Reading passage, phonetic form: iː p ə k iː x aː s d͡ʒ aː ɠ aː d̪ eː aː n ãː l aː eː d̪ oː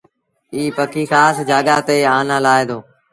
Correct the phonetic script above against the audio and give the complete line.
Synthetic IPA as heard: iː p ə k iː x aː s d͡ʒ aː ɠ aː t̪ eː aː n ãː l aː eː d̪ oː